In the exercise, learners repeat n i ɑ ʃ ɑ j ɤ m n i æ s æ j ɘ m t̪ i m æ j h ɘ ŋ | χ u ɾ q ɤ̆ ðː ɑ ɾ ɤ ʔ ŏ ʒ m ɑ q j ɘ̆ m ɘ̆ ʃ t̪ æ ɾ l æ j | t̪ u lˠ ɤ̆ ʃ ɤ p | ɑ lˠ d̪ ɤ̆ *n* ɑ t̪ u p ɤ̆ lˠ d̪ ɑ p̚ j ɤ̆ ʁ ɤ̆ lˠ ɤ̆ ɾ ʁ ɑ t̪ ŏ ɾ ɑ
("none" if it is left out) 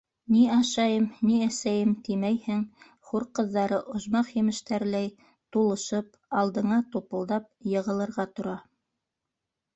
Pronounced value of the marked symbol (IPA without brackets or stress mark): ɴ